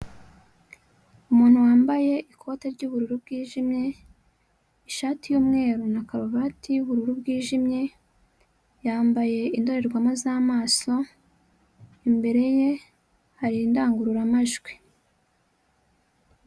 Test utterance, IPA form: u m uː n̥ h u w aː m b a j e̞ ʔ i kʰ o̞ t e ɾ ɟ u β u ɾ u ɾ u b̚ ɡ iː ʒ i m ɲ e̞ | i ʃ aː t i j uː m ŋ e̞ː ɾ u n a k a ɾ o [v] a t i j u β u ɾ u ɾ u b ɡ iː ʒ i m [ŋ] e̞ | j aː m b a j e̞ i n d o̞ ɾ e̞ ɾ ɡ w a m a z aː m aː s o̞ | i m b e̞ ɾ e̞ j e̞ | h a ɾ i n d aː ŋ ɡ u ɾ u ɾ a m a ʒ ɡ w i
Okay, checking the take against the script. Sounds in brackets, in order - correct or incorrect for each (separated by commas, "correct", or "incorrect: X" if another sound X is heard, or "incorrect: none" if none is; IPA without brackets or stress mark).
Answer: incorrect: β, incorrect: ɲ